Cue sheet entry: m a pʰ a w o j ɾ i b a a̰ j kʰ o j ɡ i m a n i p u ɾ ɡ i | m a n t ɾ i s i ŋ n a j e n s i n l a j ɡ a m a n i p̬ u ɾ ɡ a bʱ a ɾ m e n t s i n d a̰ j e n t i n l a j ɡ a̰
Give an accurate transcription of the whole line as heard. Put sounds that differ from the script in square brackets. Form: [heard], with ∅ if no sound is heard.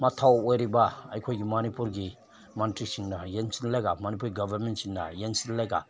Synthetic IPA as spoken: m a [tʰ] a w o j ɾ i b a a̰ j kʰ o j ɡ i m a n i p u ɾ ɡ i | m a n t ɾ i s i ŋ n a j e n s i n l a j ɡ a m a n i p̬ u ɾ ɡ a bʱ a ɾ m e n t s i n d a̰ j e n [s] i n l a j ɡ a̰